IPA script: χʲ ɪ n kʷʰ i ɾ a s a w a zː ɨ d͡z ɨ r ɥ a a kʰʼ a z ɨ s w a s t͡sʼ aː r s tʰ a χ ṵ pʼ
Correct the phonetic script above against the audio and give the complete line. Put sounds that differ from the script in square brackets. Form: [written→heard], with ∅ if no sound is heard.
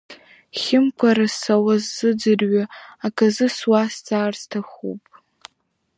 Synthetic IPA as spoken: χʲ ɪ [n→m] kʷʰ [i→a] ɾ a s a w a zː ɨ d͡z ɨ r ɥ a a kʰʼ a z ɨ s w a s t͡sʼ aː r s tʰ a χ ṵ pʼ